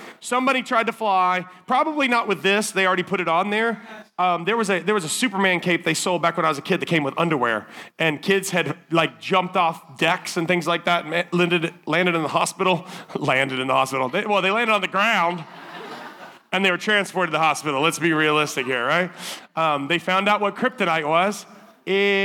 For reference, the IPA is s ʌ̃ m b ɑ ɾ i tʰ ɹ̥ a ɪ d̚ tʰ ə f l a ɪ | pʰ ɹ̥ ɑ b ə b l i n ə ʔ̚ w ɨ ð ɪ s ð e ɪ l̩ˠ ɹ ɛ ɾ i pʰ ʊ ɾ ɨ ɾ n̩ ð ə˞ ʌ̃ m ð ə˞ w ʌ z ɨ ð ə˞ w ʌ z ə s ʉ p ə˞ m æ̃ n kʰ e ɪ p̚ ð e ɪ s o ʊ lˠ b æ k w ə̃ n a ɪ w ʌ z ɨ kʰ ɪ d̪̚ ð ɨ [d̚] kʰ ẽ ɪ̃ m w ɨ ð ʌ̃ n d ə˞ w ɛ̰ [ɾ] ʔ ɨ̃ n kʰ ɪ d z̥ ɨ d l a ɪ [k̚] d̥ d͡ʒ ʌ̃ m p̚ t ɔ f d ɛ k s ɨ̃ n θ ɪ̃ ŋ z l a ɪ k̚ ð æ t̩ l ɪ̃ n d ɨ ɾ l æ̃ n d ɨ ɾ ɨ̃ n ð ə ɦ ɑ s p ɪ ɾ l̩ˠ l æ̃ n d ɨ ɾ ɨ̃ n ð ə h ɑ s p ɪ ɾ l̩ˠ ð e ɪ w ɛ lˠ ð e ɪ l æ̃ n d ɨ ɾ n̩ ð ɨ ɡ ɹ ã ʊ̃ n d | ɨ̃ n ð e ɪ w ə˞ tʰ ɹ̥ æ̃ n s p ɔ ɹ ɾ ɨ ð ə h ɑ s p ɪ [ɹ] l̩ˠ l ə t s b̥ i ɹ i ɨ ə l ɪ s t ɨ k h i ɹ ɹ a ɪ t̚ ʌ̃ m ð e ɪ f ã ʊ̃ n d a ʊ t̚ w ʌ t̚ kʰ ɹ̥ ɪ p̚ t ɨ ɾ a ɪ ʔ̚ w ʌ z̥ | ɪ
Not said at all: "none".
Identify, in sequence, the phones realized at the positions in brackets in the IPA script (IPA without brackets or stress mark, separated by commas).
t̚, ɹ, k̚, ɾ